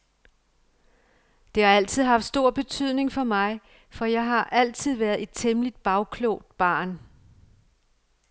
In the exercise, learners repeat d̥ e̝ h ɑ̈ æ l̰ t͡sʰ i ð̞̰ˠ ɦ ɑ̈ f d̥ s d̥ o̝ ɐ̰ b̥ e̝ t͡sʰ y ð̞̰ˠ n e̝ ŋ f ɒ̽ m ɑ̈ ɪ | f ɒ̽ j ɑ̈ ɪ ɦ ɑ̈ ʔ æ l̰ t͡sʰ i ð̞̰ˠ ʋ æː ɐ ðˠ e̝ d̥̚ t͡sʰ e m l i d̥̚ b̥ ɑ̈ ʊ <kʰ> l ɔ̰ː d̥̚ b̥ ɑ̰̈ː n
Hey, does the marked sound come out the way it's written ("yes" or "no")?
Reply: yes